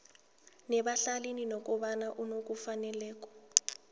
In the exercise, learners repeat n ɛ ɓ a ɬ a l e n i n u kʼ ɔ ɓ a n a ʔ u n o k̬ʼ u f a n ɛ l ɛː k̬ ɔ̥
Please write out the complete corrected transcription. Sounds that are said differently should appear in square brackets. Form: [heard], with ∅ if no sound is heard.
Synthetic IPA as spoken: n ɛ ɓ a ɬ a l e n i n [ɔ] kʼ ɔ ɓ a n a ʔ u n o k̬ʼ u f a n ɛ l ɛː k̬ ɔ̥

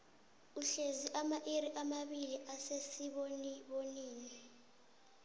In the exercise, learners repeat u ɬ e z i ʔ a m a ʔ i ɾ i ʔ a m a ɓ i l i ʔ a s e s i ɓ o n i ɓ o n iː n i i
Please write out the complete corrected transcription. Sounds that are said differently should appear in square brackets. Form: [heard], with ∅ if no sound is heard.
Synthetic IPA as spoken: u ɬ e z i ʔ a m a ʔ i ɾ i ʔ a m a ɓ i l i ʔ a s e s i ɓ o n i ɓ o n iː n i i

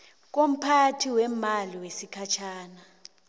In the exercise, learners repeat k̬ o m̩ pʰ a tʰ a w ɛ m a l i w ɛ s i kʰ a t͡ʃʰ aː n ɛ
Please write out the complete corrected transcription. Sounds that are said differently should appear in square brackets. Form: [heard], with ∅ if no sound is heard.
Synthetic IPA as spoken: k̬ o m̩ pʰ a tʰ [i] w ɛ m a l i w [e] s i kʰ a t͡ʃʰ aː n [a]

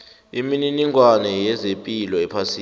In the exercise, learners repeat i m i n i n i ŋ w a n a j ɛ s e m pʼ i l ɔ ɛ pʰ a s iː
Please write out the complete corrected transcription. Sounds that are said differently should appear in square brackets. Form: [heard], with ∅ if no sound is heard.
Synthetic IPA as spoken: i m i n i n i ŋ w a n [ɛ] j ɛ [z] e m pʼ i l ɔ ɛ pʰ a s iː

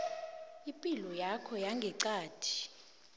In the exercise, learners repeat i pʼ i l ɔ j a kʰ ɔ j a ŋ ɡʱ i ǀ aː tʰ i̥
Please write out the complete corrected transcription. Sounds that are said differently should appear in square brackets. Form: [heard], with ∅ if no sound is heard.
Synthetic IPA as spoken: i pʼ i l ɔ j a kʰ ɔ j a ŋ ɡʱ [ɛ] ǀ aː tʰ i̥

